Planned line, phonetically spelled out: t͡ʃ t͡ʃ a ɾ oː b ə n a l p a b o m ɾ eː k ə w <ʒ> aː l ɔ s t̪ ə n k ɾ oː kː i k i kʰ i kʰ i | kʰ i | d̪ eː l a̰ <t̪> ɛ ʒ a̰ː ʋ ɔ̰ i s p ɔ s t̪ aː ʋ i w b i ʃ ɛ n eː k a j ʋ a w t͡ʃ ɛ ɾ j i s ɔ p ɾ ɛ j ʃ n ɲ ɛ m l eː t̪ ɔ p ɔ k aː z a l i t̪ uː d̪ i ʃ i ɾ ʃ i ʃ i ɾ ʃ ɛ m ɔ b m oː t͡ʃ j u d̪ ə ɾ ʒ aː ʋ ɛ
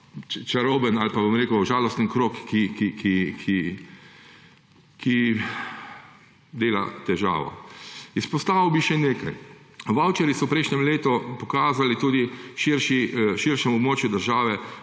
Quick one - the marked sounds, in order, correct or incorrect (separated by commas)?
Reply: correct, correct